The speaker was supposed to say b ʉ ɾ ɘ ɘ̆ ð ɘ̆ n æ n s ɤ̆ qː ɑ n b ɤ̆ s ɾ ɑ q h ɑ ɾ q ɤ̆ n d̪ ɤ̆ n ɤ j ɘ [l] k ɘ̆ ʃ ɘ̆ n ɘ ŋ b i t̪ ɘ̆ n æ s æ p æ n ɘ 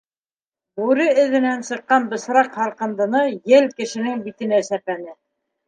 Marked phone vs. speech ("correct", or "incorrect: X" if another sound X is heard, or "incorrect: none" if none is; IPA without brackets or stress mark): correct